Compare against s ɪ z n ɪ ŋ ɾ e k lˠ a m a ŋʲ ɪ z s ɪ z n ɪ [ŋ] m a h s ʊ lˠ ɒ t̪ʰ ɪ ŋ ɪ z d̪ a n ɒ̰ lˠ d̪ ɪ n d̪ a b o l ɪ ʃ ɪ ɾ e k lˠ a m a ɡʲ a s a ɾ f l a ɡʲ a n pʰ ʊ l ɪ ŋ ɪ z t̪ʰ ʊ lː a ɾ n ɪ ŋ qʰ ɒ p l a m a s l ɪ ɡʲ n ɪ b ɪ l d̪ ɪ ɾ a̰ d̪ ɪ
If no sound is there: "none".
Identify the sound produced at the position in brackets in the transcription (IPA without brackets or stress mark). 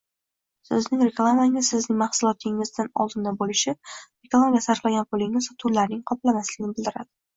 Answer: ŋ